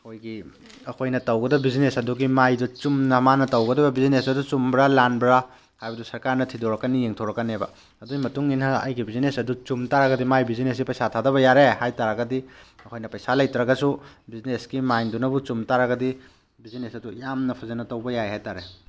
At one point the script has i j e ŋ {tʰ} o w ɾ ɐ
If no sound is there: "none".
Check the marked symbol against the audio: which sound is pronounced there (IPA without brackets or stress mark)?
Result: tʰ